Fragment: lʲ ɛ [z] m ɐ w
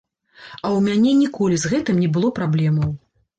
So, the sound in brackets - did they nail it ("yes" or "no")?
no